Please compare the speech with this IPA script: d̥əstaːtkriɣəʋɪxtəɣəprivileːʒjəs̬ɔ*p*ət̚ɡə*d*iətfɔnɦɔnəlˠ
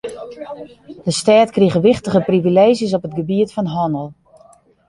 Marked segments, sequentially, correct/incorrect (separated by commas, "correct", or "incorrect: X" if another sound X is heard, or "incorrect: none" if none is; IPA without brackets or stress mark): correct, incorrect: b